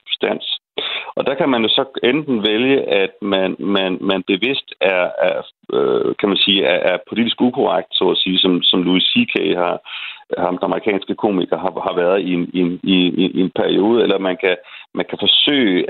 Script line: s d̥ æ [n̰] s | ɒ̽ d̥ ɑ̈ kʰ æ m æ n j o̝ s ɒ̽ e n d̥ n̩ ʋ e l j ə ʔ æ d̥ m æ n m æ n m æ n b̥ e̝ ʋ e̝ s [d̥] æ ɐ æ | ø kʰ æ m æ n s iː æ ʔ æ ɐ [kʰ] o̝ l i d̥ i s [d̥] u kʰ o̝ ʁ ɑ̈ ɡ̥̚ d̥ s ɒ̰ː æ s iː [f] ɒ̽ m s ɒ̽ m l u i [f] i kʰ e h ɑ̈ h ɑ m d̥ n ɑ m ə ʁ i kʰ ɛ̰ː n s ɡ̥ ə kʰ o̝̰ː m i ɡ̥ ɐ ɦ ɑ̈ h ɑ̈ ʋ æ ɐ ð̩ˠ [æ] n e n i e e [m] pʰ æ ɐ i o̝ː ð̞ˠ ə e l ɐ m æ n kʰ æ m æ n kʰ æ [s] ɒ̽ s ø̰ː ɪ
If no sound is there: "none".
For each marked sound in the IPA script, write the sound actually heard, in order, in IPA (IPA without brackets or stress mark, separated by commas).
n̰, d̥, pʰ, ɡ̥, s, s, i, n, f